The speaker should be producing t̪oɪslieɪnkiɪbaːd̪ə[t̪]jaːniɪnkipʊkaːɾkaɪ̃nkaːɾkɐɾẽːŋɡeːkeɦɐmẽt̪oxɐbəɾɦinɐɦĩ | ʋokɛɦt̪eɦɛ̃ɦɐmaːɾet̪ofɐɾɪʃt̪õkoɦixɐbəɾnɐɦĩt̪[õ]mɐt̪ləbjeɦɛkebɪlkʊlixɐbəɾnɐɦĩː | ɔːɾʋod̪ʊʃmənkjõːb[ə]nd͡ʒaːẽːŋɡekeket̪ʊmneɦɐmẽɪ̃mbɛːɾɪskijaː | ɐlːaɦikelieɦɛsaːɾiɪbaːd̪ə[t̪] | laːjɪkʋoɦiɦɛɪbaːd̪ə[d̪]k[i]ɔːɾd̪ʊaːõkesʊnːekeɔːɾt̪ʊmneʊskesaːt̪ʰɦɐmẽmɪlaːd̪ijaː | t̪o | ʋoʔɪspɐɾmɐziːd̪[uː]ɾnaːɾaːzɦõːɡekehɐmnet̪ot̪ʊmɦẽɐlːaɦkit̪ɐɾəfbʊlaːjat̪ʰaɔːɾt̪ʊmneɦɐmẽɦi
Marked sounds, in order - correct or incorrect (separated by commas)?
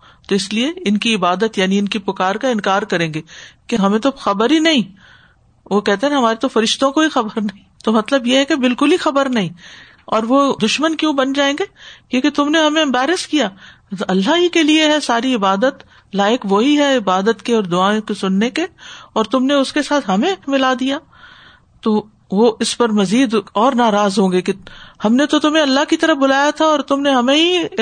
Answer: correct, incorrect, incorrect, correct, incorrect, incorrect, incorrect